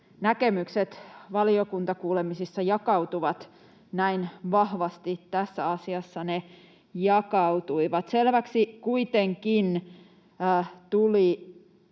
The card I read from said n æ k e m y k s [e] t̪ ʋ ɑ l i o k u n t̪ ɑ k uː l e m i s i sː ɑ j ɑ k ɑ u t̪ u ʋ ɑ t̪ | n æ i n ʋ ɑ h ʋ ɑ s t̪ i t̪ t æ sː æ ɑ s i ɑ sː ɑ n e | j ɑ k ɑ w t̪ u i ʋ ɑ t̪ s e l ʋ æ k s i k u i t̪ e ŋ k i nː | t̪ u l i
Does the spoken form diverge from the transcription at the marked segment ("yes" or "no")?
no